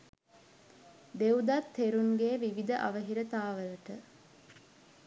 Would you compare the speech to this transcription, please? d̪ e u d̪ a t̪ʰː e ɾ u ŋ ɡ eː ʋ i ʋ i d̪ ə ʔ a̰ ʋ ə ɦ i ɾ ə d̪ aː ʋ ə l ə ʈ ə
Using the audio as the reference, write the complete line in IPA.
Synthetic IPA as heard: d̪ e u d̪ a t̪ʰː e ɾ u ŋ ɡ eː ʋ i ʋ i d̪ ə ʔ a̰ ʋ ə ɦ i ɾ ə t̪ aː ʋ ə l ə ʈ ə